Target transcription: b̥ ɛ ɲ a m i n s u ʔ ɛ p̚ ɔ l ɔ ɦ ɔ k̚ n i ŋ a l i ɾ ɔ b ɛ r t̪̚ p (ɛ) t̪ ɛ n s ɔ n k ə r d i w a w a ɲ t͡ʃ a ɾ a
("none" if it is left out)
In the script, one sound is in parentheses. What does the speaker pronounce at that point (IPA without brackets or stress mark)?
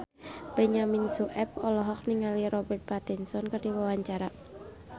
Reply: a